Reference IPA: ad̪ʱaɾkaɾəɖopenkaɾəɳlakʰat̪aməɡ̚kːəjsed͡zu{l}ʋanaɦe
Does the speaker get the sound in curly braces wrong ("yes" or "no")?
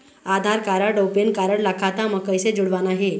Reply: yes